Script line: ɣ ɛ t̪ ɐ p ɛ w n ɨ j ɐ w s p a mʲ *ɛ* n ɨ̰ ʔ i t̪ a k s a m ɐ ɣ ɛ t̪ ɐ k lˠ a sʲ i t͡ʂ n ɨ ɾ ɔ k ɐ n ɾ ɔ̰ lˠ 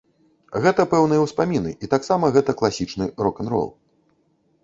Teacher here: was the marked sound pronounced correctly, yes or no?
no